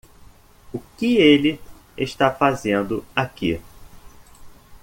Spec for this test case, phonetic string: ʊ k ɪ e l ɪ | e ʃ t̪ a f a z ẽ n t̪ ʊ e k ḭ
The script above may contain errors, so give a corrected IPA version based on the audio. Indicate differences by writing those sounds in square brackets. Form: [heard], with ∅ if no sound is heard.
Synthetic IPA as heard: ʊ k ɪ e l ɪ | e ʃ t̪ a f a z ẽ n [d̪] ʊ [a] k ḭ